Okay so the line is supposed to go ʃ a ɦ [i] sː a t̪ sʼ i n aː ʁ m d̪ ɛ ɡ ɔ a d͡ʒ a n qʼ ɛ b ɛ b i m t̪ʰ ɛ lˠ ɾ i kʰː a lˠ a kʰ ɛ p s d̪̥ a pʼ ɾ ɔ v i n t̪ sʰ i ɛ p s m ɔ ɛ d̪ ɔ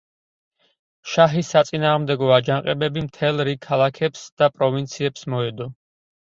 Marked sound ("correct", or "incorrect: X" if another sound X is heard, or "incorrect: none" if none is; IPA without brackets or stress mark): correct